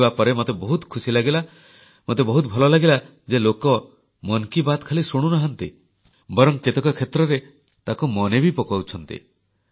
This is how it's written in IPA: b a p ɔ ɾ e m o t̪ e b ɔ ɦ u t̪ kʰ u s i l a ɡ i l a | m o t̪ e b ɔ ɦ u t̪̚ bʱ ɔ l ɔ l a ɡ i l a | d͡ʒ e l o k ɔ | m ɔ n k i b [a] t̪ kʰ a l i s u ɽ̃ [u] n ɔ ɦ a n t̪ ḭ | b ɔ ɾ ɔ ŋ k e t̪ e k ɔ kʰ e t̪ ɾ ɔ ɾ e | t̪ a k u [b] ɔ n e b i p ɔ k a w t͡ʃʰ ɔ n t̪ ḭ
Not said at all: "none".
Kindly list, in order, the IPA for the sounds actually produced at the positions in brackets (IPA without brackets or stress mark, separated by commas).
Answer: a, u, m